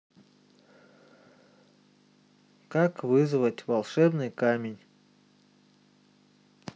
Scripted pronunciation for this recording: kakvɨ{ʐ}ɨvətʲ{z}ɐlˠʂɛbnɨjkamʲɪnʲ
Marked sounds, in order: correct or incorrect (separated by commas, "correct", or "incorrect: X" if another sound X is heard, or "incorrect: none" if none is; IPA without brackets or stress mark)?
incorrect: z, incorrect: v